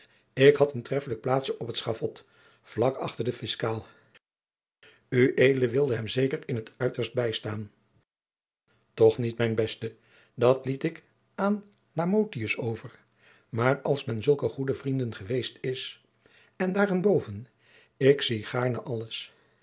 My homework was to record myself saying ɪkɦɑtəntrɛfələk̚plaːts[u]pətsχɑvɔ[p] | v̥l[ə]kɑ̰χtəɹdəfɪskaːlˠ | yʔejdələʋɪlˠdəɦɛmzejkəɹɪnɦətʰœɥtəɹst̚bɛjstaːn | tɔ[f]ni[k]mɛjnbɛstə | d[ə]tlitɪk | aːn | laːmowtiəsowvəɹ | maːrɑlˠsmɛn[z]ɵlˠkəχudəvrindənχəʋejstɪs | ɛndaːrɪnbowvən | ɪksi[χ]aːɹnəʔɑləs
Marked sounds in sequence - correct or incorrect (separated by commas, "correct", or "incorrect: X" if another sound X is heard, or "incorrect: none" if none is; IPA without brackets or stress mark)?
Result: incorrect: ɔ, incorrect: t, incorrect: ɑ, incorrect: χ, incorrect: t, incorrect: ɑ, correct, correct